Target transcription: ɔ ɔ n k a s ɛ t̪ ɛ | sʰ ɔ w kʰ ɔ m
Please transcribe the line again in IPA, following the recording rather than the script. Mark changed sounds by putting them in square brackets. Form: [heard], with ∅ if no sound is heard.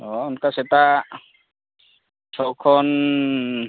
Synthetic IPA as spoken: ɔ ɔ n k a s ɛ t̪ [a] | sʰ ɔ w kʰ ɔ [n]

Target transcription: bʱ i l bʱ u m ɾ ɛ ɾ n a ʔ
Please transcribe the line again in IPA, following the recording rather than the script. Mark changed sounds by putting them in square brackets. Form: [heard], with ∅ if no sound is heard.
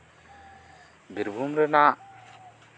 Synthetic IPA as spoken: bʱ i [ɾ] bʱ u m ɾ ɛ [∅] n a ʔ

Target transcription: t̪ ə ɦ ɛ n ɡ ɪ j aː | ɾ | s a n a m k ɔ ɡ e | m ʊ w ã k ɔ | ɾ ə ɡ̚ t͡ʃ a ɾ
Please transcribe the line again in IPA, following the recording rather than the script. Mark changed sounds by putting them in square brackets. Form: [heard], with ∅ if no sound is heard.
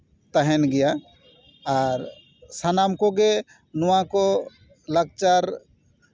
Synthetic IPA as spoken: t̪ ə ɦ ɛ n ɡ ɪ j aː | ɾ | s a n a m k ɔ ɡ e | [n] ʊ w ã k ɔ | [l] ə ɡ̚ t͡ʃ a ɾ

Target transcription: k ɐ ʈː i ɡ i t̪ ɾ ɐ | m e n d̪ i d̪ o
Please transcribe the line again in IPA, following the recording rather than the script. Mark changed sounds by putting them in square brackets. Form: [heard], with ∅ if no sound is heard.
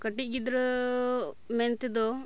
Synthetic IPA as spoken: k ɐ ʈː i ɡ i [d̪] ɾ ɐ | m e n [t̪] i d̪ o

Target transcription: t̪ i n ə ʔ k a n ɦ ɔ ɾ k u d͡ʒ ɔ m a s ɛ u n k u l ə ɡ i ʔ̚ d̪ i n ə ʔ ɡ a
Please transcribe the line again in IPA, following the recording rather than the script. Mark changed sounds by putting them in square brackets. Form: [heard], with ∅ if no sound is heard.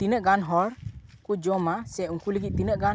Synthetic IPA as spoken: t̪ i n ə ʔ [ɡ] a n ɦ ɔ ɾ k u d͡ʒ ɔ m a s ɛ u [ŋ] k u l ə ɡ i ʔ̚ [t̪] i n ə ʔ ɡ a

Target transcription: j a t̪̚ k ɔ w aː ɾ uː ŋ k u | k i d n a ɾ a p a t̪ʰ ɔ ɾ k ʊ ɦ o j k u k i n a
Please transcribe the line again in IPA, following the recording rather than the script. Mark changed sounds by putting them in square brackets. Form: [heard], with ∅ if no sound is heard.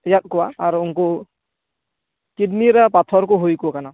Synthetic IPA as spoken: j a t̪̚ k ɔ w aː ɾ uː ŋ k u | k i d n [i] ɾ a p a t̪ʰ ɔ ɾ k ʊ ɦ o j k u k [a] n a

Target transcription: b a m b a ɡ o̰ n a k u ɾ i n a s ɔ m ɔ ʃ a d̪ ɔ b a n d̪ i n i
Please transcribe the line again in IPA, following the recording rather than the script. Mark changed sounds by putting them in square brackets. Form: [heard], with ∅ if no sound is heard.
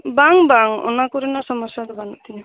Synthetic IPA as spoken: b a [ŋ] b a [ŋ] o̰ n a k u ɾ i n a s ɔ m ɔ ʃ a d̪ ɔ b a n [t̪] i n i

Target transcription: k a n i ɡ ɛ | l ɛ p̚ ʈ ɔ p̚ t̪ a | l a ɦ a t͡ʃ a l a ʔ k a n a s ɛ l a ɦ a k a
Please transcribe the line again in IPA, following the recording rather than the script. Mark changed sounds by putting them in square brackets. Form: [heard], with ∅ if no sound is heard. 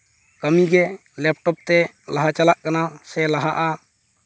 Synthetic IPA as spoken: k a [m] i ɡ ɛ | l ɛ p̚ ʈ ɔ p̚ t̪ [ɛ] | l a ɦ a t͡ʃ a l a ʔ k a n a s ɛ l a ɦ a [ʔ] a

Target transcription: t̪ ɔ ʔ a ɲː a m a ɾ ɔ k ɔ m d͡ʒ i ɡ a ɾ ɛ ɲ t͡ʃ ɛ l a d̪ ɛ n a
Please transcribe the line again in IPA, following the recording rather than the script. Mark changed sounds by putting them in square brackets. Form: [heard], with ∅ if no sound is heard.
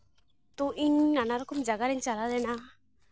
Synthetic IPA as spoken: t̪ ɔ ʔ [i] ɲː a [n] a ɾ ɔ k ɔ m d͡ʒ [a] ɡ a ɾ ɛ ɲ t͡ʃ [a] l a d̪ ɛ n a

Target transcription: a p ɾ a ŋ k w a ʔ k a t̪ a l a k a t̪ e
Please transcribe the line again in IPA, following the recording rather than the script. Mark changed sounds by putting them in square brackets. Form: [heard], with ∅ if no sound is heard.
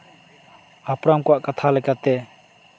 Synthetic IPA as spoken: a p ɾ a [m] k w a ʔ k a [t̪ʰ] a l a k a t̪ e

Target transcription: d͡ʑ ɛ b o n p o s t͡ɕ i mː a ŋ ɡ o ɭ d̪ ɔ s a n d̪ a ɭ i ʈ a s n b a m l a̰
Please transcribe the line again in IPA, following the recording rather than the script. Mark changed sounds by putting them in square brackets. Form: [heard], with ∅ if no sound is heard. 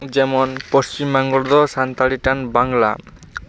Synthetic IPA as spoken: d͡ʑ ɛ [m] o n p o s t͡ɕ i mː a ŋ ɡ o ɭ d̪ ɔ s a n [t̪] a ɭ i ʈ a [∅] n b a [ŋ] l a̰

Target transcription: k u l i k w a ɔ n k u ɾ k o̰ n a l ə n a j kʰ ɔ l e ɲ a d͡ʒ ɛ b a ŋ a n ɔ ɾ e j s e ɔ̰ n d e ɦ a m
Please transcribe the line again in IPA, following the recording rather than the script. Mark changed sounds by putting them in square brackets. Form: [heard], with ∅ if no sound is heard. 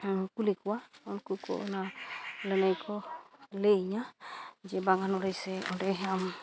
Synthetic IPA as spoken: k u l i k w a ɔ n k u [∅] k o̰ n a l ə n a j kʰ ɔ l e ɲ a d͡ʒ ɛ b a ŋ a n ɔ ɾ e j s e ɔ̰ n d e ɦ a m

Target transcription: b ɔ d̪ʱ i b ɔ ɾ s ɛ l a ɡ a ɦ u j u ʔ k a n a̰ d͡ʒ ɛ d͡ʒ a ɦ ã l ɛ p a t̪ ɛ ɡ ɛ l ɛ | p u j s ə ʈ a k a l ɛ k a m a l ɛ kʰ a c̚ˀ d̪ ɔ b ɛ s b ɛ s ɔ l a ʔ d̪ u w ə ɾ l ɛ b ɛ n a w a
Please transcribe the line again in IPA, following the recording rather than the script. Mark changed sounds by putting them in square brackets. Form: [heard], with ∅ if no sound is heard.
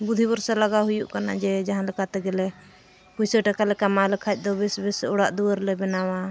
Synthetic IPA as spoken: b [u] d̪ʱ i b ɔ ɾ s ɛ l a ɡ a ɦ u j u ʔ k a n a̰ d͡ʒ ɛ d͡ʒ a ɦ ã l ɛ [k] a t̪ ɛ ɡ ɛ l ɛ | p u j s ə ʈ a k a l ɛ k a m a l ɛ kʰ a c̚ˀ d̪ ɔ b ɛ s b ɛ s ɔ [ɽ] a ʔ d̪ u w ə ɾ l ɛ b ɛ n a w a

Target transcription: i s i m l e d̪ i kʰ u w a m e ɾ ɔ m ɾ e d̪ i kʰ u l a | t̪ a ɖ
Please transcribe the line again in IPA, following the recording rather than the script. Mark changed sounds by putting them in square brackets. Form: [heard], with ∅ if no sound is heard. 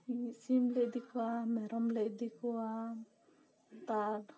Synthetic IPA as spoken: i s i m l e d̪ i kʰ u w a m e ɾ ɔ m [l] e d̪ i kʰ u [∅] a | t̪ a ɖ

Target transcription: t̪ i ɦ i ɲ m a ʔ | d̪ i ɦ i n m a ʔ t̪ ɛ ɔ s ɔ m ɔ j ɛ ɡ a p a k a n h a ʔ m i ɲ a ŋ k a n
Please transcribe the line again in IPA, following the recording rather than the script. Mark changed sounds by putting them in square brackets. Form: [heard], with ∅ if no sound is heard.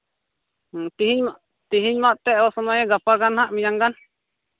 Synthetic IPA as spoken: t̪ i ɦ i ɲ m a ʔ | [t̪] i ɦ i [ɲ] m a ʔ t̪ ɛ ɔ s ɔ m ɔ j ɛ ɡ a p a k a n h a ʔ m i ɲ a ŋ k a n

